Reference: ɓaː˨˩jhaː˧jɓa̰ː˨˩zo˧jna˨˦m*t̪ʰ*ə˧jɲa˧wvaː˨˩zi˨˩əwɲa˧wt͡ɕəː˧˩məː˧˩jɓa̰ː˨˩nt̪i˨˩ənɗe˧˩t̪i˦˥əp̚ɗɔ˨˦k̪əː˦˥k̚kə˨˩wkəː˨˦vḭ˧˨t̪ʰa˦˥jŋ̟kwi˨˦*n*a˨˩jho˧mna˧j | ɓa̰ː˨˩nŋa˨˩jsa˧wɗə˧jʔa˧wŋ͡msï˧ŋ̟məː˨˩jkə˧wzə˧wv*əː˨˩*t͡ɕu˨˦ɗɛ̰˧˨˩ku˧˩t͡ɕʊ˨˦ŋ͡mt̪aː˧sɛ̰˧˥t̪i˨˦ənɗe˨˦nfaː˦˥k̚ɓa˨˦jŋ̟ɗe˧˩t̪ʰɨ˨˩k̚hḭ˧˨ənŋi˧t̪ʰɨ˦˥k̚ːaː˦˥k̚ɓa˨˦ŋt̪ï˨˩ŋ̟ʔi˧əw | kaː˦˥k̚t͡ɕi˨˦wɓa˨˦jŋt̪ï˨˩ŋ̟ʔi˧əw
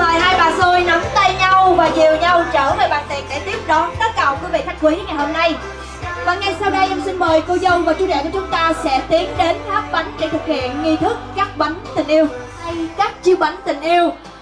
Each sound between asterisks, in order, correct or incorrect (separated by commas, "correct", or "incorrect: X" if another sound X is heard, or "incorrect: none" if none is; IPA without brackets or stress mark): incorrect: t̪, incorrect: ŋ, incorrect: aː˨˩